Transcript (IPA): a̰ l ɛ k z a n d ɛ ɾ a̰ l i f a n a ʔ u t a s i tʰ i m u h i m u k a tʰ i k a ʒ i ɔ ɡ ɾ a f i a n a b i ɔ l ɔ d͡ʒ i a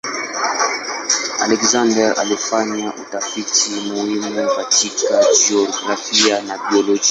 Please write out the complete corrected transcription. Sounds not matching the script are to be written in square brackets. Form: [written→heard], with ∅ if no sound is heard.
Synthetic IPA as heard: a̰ l ɛ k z a n d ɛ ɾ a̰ l i f a [n→ɲ] a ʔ u t a [s→f] i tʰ i m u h i m u k a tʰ i k a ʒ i ɔ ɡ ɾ a f i a n a b i ɔ l ɔ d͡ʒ i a